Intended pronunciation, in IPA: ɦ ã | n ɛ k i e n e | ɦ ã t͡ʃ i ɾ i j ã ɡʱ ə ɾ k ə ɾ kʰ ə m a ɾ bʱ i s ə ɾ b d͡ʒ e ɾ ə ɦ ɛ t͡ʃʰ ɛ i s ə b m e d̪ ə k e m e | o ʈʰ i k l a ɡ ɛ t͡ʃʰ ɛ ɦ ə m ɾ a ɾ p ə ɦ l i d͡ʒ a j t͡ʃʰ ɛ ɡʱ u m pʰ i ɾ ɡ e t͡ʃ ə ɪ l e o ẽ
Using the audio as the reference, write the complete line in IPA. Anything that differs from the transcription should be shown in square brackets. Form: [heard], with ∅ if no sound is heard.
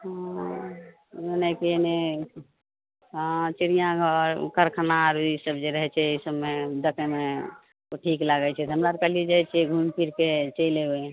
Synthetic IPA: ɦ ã | n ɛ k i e n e | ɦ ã t͡ʃ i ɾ i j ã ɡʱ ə ɾ k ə ɾ kʰ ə [n] a ɾ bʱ i s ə [∅] b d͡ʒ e ɾ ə ɦ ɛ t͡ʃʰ ɛ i s ə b m e d̪ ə k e m e | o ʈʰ i k l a ɡ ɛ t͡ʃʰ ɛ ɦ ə m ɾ a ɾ [k] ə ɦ l i d͡ʒ a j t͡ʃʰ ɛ ɡʱ u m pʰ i ɾ [k] e t͡ʃ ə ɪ l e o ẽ